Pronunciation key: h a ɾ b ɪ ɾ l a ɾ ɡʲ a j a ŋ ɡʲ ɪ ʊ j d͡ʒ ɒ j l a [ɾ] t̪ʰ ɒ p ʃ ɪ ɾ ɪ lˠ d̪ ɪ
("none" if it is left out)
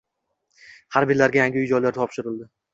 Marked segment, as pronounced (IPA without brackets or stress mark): ɾ